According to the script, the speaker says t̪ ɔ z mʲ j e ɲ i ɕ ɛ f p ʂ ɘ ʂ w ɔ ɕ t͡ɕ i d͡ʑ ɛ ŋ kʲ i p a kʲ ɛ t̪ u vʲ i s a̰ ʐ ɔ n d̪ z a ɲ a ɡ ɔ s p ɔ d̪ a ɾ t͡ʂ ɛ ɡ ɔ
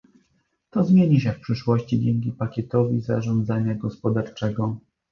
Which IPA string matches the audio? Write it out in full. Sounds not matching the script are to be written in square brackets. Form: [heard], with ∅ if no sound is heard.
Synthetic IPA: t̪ ɔ z mʲ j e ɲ i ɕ ɛ f p ʂ ɘ ʂ w ɔ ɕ t͡ɕ i d͡ʑ ɛ ŋ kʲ i p a kʲ ɛ t̪ [ɔ] vʲ i [z] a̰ ʐ ɔ n d̪ z a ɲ a ɡ ɔ s p ɔ d̪ a ɾ t͡ʂ ɛ ɡ ɔ